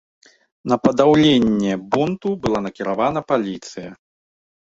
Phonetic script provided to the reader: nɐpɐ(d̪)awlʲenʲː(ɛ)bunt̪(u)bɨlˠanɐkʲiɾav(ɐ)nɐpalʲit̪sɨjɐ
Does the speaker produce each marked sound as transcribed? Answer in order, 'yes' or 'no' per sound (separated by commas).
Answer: yes, yes, yes, no